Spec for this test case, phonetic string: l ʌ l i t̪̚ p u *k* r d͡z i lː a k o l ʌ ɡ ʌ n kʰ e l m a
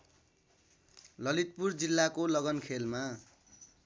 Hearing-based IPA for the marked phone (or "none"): none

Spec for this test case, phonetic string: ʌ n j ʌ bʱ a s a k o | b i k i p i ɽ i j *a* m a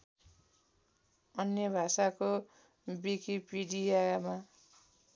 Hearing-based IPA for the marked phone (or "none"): a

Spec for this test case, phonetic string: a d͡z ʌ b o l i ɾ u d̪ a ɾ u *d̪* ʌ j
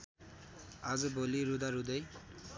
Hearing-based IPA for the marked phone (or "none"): d̪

